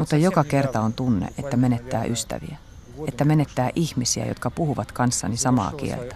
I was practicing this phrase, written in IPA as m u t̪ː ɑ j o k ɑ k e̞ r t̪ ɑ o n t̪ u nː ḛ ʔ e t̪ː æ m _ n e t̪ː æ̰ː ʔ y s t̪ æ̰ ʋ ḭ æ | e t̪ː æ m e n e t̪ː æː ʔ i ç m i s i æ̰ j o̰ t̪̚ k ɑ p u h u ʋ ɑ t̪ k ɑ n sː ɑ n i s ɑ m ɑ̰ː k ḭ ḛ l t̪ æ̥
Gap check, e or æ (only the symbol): e